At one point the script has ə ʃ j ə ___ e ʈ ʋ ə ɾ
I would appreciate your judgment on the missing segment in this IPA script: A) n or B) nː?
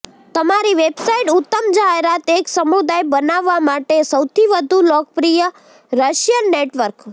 B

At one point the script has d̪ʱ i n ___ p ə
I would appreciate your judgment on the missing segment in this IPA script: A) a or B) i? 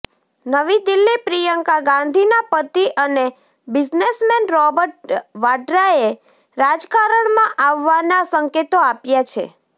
A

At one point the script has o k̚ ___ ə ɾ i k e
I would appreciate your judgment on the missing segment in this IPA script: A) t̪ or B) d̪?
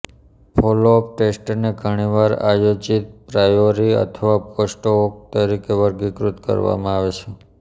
A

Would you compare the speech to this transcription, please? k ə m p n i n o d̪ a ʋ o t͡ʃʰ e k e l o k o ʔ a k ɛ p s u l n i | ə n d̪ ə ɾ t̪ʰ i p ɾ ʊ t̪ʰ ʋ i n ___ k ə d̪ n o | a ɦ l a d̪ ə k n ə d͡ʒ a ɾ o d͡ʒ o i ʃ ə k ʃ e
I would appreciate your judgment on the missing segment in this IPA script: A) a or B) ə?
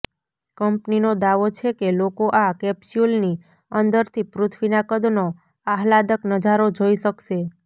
A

